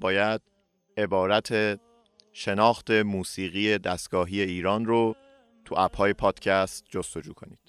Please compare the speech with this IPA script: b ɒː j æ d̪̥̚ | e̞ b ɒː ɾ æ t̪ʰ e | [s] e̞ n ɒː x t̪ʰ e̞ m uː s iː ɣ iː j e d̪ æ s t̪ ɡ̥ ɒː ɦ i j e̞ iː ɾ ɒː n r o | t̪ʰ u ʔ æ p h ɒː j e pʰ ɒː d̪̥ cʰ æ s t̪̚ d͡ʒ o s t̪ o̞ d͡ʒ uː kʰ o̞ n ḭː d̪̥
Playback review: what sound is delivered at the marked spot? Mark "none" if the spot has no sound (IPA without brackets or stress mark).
ʃ